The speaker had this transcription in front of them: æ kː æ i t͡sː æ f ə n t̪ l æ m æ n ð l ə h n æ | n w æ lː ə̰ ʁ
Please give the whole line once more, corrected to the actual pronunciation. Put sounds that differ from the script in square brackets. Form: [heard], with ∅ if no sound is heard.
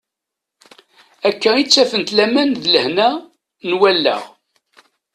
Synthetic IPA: æ kː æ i t͡sː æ f ə n t̪ l æ m æ n ð l ə h n æ | n w æ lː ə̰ ʁ